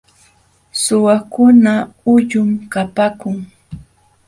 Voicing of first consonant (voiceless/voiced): voiceless